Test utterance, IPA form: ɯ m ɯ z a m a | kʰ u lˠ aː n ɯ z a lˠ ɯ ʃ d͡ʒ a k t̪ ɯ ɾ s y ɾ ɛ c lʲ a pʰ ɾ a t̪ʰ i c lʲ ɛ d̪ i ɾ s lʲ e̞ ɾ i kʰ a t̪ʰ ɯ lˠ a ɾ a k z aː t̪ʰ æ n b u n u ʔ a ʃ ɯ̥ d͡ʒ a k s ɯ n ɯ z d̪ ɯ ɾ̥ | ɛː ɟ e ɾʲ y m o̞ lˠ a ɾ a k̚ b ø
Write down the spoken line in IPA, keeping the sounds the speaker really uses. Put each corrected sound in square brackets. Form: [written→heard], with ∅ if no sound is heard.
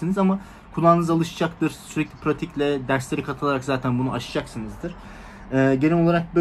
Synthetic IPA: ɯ [m→n] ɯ z a m a | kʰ u lˠ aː n ɯ z a lˠ ɯ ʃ d͡ʒ a k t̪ ɯ ɾ s y ɾ ɛ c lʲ [a→i] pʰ ɾ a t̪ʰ i c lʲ ɛ d̪ [i→æ] ɾ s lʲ e̞ ɾ i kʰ a t̪ʰ ɯ lˠ a ɾ a k z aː t̪ʰ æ n b u n u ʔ a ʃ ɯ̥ d͡ʒ a k s ɯ n ɯ z d̪ ɯ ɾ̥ | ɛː ɟ e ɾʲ [y→i] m o̞ lˠ a ɾ a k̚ b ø